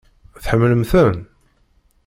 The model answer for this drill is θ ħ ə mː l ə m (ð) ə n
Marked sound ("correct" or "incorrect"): incorrect